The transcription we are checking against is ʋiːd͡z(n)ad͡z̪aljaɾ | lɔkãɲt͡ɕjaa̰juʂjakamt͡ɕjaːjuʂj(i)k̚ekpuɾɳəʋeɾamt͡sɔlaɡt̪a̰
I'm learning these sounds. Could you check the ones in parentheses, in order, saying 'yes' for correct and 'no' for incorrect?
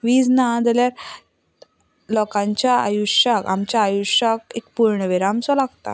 yes, no

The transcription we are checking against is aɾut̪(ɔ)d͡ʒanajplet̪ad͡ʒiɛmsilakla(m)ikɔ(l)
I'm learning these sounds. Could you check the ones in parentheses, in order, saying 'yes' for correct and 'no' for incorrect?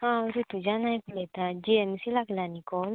no, no, yes

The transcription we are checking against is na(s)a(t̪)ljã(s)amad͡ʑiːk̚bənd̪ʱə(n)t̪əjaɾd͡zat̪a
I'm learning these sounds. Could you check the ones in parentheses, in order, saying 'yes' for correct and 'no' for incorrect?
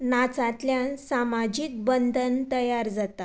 no, yes, yes, yes

